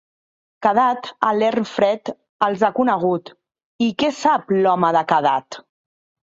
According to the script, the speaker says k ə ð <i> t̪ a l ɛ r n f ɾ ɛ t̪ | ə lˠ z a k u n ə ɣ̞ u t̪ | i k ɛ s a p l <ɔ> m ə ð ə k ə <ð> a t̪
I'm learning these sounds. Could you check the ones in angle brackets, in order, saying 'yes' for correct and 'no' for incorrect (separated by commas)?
no, yes, yes